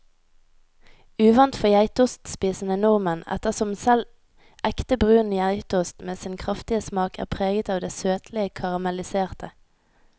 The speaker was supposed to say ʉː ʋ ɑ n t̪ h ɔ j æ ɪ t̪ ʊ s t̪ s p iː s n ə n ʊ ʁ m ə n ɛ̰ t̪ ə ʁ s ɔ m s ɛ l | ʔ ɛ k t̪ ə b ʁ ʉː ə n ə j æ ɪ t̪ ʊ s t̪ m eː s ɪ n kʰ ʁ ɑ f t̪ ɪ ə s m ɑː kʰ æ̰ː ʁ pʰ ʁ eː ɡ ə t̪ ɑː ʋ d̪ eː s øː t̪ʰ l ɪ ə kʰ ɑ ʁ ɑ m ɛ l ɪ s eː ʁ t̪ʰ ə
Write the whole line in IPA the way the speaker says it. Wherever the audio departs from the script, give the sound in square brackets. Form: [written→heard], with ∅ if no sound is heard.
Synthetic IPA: ʉː ʋ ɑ n t̪ [h→f] ɔ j æ ɪ t̪ ʊ s t̪ s p iː s n ə n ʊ ʁ m ə n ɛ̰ t̪ ə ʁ s ɔ m s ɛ l | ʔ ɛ k t̪ ə b ʁ ʉː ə n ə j æ ɪ t̪ ʊ s t̪ m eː s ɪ n kʰ ʁ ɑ f t̪ ɪ ə s m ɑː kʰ æ̰ː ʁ pʰ ʁ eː ɡ ə t̪ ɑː ʋ d̪ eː s øː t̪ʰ l ɪ ə kʰ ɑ ʁ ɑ m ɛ l ɪ s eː ʁ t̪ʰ ə